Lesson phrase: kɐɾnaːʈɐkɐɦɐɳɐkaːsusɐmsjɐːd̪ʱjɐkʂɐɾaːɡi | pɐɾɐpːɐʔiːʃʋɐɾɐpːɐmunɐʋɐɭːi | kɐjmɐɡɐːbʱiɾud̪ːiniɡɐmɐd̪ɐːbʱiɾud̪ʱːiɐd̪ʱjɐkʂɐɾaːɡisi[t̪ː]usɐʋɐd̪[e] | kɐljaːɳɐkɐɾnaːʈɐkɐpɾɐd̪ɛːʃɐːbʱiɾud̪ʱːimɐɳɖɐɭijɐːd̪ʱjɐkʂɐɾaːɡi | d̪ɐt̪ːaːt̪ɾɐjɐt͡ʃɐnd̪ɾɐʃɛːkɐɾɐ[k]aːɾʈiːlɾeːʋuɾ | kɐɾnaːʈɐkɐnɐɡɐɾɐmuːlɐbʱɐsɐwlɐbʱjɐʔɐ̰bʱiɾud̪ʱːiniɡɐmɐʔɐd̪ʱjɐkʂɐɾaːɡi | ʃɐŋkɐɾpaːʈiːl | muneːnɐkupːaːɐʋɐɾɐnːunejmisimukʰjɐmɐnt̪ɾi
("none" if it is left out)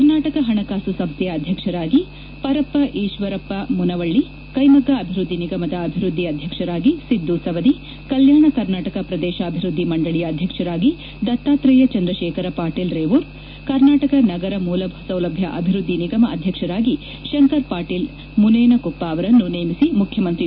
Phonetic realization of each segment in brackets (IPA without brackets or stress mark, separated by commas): d̪ː, i, p